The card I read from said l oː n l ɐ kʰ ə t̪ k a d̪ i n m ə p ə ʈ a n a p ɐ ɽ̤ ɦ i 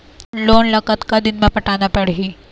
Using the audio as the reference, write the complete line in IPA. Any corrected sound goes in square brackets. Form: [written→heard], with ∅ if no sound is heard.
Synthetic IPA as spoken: l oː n l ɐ [kʰ→k] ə t̪ k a d̪ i n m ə p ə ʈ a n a p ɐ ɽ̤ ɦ i